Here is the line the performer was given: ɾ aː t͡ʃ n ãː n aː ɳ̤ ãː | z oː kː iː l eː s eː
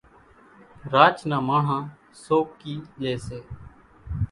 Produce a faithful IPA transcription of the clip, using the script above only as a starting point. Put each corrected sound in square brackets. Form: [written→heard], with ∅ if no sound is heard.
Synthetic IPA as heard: ɾ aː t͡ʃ n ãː [n→m] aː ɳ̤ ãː | [z→s] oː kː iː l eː s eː